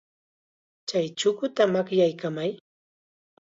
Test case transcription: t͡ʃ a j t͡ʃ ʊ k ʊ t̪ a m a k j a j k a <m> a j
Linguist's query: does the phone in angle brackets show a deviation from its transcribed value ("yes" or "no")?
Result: no